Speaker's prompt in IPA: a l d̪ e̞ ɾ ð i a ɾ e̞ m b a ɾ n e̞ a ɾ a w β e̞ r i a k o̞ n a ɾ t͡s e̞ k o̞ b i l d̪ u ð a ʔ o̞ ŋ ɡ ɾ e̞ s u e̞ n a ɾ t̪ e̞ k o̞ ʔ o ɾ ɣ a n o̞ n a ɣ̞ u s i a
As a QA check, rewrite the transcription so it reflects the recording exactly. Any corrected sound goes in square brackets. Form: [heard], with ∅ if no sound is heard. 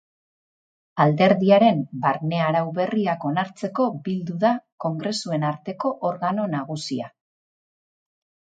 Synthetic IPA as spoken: a l d̪ e̞ ɾ ð i a ɾ e̞ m b a ɾ n e̞ a ɾ a w β e̞ r i a k o̞ n a ɾ t͡s e̞ k o̞ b i l d̪ u ð a [k] o̞ ŋ ɡ ɾ e̞ s u e̞ n a ɾ t̪ e̞ k o̞ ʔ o ɾ ɣ a n o̞ n a ɣ̞ u s i a

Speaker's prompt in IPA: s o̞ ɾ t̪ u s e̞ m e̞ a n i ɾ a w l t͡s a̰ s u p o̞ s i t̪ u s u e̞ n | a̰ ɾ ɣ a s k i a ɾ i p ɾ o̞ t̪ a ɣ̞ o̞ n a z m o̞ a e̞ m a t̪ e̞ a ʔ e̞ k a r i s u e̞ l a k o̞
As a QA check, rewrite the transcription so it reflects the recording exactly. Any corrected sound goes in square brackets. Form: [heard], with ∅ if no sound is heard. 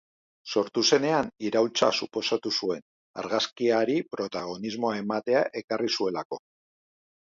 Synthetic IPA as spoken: s o̞ ɾ t̪ u s e̞ [n] e̞ a n i ɾ a w l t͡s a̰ s u p o̞ s [a] t̪ u s u e̞ n | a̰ ɾ ɣ a s k i a ɾ i p ɾ o̞ t̪ a ɣ̞ o̞ n [i] z m o̞ a e̞ m a t̪ e̞ a ʔ e̞ k a r i s u e̞ l a k o̞

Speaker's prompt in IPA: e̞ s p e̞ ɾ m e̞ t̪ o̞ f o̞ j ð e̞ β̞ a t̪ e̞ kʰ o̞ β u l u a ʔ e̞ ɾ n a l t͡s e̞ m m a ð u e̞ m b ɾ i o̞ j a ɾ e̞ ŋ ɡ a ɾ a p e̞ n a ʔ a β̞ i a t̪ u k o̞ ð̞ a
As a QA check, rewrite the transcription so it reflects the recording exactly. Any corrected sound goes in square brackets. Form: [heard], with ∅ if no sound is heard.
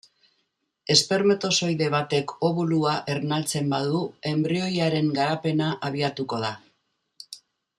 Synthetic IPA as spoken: e̞ s p e̞ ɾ m e̞ t̪ o̞ [s] o̞ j ð e̞ β̞ a t̪ e̞ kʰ o̞ β u l u a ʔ e̞ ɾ n a l t͡s e̞ m [b] a ð u e̞ m b ɾ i o̞ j a ɾ e̞ ŋ ɡ a ɾ a p e̞ n a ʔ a β̞ i a t̪ u k o̞ ð̞ a

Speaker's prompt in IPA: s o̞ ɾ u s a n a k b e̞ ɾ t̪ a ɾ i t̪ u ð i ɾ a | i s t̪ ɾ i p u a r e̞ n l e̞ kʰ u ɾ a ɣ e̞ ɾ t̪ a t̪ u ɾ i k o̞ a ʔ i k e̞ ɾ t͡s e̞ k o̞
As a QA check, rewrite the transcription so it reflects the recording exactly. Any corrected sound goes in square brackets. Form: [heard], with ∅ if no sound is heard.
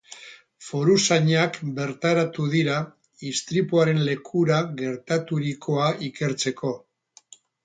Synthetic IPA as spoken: [f] o̞ ɾ u s a [ɲ] a k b e̞ ɾ t̪ a ɾ [a] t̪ u ð i ɾ a | i s t̪ ɾ i p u a [ɾ] e̞ n l e̞ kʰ u ɾ a ɣ e̞ ɾ t̪ a t̪ u ɾ i k o̞ a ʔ i k e̞ ɾ t͡s e̞ k o̞

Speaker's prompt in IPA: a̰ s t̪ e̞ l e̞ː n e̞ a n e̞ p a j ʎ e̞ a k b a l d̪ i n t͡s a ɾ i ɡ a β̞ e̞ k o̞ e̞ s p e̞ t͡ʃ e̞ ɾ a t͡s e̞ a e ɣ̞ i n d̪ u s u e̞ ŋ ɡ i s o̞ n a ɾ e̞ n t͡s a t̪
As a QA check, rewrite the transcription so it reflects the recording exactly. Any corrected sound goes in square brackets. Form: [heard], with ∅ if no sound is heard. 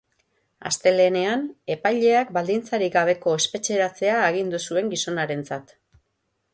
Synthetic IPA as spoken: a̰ s t̪ e̞ l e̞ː n e̞ a n e̞ p a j ʎ e̞ a k b a l d̪ i n t͡s a ɾ i ɡ a β̞ e̞ k o̞ e̞ s p e̞ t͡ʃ e̞ ɾ a t͡s e̞ a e ɣ̞ i n d̪ u s u e̞ ŋ ɡ i s o̞ n a ɾ e̞ n t͡s a t̪

